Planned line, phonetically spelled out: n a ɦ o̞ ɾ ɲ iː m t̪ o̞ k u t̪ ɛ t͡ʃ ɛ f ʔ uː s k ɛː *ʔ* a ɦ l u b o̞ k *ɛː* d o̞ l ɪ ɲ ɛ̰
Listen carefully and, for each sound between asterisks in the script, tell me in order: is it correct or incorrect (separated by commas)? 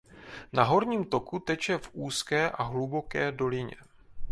correct, correct